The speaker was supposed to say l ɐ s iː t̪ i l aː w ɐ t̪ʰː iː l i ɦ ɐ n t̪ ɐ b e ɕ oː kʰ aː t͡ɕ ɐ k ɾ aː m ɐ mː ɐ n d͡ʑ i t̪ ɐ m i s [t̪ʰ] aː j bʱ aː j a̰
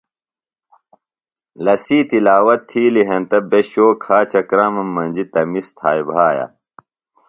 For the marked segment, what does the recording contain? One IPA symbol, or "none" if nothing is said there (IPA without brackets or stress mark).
t̪ʰ